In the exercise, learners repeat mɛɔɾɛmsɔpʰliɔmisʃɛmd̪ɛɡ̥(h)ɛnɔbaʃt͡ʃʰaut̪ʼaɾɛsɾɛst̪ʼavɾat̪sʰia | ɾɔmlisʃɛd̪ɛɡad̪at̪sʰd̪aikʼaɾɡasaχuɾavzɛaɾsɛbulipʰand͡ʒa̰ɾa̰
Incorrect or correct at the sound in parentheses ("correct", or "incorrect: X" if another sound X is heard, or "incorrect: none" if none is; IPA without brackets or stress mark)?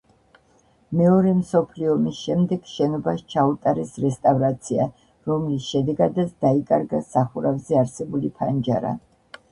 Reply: incorrect: ʃ